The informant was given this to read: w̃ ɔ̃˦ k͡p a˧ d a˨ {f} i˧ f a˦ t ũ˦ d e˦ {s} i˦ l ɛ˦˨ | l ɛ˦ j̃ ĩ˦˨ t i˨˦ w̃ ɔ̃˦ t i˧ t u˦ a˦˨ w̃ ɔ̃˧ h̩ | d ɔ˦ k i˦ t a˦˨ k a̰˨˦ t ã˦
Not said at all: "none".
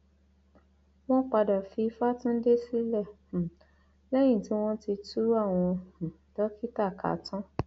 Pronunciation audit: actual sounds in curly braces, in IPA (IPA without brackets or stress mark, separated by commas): f, s